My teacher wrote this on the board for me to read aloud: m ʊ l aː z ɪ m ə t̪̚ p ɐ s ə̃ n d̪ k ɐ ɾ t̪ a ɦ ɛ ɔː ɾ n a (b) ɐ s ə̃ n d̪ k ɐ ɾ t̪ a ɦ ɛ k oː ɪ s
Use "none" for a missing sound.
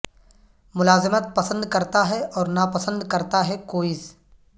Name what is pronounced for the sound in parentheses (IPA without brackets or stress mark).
p